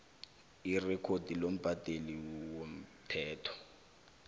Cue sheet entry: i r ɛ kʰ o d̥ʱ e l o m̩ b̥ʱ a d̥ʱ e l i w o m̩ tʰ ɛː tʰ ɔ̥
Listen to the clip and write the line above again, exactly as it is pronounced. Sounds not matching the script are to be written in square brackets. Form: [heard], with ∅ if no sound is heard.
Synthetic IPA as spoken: i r ɛ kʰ o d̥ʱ [i] l o m̩ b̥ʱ a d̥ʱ e l i w o m̩ tʰ ɛː tʰ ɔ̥